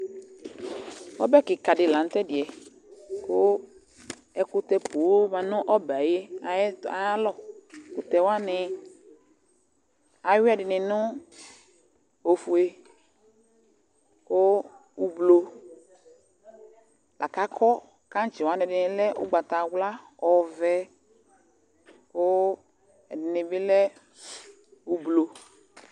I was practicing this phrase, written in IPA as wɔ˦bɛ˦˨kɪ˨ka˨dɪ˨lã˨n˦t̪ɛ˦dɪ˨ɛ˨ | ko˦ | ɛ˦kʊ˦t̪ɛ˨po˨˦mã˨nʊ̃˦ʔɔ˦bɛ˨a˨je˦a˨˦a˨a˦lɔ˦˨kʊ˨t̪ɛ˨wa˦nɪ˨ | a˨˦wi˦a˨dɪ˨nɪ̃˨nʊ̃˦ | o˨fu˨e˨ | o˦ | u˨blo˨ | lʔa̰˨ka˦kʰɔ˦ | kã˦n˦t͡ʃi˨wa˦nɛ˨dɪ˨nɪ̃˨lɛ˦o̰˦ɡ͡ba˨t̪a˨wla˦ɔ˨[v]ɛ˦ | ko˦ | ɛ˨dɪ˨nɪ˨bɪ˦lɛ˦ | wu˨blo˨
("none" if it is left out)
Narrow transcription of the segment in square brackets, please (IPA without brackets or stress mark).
v